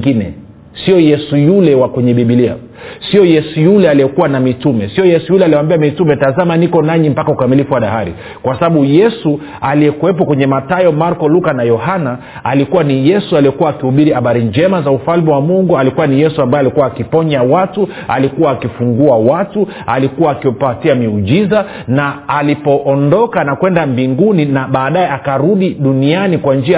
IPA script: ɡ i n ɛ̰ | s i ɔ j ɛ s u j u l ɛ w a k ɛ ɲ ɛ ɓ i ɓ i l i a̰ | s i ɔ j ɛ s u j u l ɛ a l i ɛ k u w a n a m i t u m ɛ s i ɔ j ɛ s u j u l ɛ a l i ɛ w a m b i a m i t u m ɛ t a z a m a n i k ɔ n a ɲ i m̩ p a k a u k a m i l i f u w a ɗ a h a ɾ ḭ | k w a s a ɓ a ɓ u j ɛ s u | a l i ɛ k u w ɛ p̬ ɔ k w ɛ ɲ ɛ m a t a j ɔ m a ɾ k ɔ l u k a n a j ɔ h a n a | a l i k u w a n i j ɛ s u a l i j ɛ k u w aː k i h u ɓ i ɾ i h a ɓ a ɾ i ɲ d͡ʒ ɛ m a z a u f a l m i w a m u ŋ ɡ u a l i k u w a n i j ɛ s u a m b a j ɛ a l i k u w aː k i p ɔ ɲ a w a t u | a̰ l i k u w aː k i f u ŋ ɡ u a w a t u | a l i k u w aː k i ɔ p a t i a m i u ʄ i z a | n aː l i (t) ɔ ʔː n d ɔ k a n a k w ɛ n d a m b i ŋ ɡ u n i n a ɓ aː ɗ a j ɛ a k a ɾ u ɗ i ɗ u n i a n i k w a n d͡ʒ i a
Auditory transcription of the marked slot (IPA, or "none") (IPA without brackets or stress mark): p